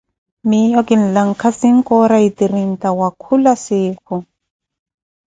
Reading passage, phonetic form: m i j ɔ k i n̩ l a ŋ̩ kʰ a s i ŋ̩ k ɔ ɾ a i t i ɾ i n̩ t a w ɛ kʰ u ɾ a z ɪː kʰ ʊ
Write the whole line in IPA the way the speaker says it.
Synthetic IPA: m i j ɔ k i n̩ l a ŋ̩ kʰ a s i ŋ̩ k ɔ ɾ a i t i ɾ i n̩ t a w a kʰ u l a s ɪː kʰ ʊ